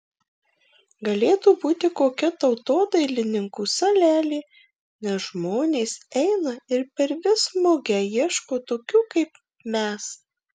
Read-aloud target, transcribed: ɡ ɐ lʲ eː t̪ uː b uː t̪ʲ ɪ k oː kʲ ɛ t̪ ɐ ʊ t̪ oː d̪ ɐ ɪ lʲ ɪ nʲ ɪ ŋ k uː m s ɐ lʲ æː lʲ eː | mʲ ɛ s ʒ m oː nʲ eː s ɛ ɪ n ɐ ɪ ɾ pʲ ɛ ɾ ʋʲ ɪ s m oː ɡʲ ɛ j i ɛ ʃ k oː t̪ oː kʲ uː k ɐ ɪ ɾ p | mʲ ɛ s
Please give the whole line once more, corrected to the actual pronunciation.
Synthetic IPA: ɡ ɐ lʲ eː t̪ uː b uː t̪ʲ ɪ k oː kʲ ɛ t̪ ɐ ʊ t̪ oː d̪ ɐ ɪ lʲ ɪ nʲ ɪ ŋ k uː s ɐ lʲ æː lʲ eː | nʲ ɛ s ʒ m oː nʲ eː s ɛ ɪ n ɐ ɪ ɾ pʲ ɛ ɾ ʋʲ ɪ s m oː ɡʲ ɛ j i ɛ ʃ k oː t̪ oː kʲ uː k ɐ ɪ p | mʲ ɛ s